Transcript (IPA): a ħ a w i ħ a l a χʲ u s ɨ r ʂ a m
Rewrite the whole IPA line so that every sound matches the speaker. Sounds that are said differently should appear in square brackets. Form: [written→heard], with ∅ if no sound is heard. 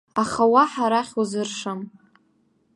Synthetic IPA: a [ħ→χ] a w [i→a] ħ a [l→ɾ] a χʲ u [s→z] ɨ r ʂ a m